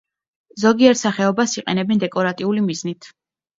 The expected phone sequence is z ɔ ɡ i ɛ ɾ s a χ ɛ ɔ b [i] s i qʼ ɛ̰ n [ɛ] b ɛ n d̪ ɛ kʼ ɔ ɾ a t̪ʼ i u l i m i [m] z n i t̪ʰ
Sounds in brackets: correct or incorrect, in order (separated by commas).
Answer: incorrect, correct, incorrect